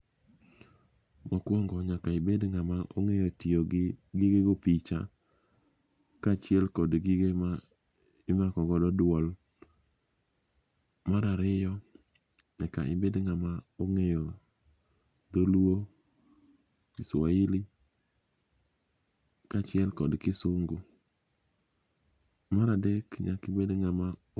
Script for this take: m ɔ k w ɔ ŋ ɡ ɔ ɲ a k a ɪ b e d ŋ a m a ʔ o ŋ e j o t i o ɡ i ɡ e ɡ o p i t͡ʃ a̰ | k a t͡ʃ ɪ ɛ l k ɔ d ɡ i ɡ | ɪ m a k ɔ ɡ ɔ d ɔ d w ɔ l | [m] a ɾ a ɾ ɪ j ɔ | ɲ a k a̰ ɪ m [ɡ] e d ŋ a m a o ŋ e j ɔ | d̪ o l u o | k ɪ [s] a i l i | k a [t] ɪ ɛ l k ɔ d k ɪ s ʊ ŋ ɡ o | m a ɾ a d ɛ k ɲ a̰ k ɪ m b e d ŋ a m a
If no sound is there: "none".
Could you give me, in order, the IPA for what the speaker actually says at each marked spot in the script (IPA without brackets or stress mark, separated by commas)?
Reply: m, b, s, t͡ʃ